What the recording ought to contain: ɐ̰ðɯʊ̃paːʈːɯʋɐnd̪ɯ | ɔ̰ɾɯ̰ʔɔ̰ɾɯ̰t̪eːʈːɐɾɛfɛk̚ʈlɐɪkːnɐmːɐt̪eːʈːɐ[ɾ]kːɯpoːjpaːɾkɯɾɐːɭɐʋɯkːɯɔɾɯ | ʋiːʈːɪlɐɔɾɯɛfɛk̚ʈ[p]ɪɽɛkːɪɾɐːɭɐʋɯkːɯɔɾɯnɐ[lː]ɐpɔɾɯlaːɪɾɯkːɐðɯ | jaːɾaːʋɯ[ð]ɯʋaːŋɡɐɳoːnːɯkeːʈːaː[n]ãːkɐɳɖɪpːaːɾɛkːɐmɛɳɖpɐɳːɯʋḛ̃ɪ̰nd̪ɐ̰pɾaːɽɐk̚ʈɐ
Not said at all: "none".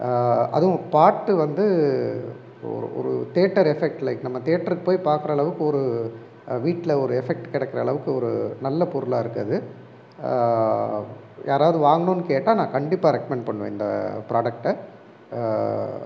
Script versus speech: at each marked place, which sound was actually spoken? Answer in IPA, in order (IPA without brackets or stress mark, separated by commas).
ɾ, k, lː, ð, n